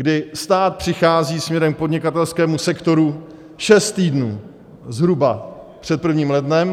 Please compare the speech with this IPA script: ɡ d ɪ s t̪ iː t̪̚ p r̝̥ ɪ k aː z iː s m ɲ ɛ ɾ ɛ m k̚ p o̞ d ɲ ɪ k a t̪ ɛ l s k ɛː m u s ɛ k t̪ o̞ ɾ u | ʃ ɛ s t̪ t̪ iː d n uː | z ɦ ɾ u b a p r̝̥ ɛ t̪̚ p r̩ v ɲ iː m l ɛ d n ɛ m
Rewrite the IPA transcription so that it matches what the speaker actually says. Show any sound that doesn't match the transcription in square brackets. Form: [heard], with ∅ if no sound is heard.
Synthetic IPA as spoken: ɡ d ɪ s t̪ [aː] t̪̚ p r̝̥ ɪ [x] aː z iː s m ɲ ɛ ɾ ɛ m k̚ p o̞ d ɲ ɪ k a t̪ ɛ l s k ɛː m u s ɛ k t̪ o̞ ɾ u | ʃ ɛ s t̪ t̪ iː d n uː | z ɦ ɾ u b a p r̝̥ ɛ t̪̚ p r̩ v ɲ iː m l ɛ d n ɛ m